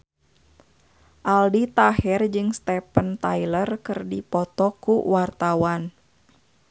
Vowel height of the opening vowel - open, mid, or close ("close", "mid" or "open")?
open